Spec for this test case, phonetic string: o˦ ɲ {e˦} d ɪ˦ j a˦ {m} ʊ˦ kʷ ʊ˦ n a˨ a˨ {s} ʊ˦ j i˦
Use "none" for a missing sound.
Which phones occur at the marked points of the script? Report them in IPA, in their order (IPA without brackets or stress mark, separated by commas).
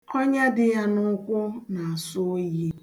a˦, n, s